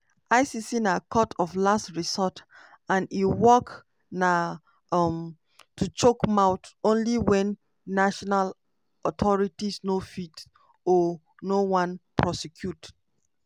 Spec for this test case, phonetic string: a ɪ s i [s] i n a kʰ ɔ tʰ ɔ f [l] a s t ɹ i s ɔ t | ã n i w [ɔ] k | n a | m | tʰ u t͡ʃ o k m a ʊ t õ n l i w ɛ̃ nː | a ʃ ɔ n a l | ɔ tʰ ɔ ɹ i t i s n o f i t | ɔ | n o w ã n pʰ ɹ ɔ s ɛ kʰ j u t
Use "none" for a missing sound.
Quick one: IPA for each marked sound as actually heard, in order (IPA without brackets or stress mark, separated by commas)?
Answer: s, l, ɔ